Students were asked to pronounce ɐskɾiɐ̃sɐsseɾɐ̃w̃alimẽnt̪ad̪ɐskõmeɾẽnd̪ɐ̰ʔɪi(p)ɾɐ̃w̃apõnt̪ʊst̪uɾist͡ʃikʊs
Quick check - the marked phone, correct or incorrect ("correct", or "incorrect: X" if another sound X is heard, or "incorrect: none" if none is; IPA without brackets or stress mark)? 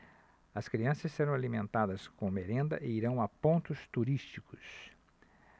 incorrect: none